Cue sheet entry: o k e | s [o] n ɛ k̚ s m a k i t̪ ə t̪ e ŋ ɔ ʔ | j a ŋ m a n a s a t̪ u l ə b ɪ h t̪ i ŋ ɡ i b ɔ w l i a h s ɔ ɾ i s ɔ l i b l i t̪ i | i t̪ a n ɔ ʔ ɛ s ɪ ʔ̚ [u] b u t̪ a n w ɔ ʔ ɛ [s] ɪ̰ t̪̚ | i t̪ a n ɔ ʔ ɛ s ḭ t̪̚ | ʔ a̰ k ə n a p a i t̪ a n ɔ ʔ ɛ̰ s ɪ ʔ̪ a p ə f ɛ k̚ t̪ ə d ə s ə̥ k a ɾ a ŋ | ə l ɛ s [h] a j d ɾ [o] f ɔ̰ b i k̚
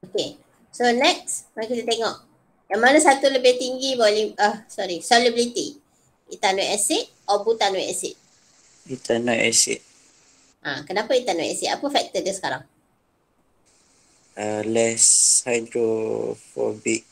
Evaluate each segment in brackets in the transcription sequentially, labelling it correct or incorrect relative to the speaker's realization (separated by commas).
correct, incorrect, correct, correct, correct